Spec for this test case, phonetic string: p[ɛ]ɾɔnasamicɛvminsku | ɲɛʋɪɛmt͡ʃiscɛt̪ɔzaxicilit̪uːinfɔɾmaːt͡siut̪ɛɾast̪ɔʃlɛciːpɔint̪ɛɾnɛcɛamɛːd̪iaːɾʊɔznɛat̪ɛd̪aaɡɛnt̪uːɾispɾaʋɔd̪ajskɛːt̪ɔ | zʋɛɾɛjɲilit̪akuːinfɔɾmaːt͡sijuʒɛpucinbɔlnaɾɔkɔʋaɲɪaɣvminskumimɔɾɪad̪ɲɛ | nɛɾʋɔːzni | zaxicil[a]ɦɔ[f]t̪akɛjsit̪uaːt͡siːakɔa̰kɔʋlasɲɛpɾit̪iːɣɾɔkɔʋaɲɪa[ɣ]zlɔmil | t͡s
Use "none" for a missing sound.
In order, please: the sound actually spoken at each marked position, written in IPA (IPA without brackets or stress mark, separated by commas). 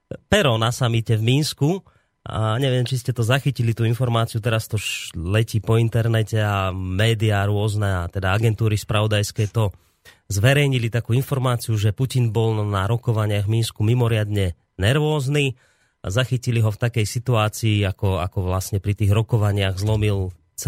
ɛ, i, f, ɣ